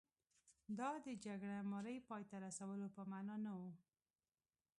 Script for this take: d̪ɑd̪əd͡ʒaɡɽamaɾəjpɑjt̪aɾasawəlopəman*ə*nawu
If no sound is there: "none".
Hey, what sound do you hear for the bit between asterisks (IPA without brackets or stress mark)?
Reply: ɑ